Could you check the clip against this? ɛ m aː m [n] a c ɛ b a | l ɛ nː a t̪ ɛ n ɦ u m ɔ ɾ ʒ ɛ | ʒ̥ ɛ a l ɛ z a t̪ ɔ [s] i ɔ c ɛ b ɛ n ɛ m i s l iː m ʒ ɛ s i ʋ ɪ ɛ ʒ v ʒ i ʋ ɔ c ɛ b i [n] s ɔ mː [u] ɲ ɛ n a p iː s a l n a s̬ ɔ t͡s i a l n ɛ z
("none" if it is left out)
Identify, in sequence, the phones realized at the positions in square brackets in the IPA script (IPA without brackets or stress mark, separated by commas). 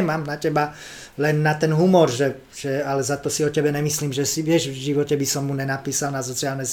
n, s, none, u